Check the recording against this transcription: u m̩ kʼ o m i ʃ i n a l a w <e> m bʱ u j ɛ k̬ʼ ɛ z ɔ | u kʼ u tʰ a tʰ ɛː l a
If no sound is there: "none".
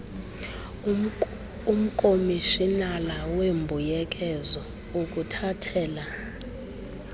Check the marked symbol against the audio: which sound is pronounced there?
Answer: e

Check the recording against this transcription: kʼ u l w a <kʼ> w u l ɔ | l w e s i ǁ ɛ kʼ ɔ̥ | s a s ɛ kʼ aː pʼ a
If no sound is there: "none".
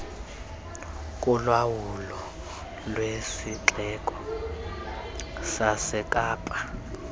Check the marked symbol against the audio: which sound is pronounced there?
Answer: none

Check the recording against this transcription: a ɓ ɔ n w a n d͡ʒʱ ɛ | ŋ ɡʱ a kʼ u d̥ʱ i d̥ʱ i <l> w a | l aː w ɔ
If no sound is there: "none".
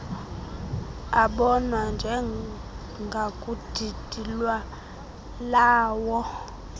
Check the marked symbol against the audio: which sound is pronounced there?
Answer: l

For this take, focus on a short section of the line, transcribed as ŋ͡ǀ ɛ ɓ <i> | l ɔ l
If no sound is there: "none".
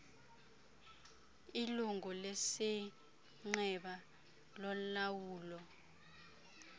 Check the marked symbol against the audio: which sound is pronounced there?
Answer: a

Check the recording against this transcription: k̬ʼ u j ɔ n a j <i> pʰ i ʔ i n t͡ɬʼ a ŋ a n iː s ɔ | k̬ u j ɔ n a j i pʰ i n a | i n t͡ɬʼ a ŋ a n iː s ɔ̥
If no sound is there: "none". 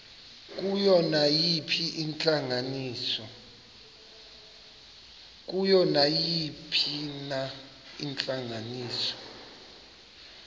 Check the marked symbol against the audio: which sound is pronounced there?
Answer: i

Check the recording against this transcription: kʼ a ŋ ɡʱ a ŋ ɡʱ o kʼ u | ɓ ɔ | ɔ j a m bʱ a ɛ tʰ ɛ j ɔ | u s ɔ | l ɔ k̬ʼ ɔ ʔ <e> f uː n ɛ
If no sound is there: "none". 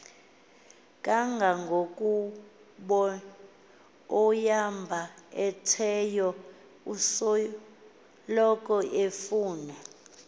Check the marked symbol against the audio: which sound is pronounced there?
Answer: e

